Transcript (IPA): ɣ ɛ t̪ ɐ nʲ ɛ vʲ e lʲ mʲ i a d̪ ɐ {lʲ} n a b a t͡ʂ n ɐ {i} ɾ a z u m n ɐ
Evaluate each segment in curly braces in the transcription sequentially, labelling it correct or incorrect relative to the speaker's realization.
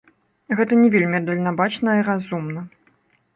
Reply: correct, correct

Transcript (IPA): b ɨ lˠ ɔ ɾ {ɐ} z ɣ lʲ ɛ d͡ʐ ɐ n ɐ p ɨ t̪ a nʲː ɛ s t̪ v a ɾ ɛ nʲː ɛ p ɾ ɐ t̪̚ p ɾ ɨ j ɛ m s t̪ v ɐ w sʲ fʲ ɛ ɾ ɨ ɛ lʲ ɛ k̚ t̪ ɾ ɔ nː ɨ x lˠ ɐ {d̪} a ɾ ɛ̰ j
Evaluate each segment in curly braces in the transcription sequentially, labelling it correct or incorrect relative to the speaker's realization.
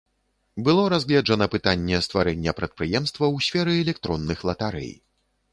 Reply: incorrect: a, incorrect: t̪

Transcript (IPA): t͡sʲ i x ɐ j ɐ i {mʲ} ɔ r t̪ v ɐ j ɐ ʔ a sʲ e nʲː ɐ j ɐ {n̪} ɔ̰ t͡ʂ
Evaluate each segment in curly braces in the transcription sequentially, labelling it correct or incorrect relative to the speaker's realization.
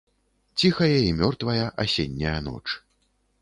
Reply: correct, correct

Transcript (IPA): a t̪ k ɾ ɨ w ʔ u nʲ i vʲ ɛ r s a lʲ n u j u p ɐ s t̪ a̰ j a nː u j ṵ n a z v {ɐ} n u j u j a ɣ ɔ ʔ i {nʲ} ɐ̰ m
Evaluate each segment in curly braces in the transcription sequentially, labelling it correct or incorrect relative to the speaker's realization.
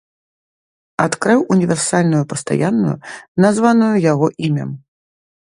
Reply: incorrect: a, incorrect: mʲ

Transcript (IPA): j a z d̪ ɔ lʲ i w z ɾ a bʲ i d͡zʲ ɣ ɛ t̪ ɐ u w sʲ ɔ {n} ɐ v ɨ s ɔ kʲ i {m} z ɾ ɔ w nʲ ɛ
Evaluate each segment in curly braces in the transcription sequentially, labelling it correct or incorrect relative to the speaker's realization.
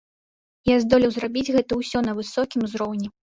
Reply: correct, correct

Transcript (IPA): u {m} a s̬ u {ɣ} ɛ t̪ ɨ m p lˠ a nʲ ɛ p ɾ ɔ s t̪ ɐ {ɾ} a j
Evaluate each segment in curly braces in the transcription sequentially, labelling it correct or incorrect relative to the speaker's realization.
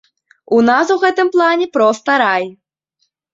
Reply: incorrect: n, correct, correct

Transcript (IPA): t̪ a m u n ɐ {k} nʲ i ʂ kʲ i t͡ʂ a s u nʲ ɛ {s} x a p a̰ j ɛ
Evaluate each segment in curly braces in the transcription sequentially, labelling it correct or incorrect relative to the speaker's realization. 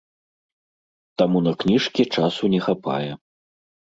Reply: correct, incorrect: none

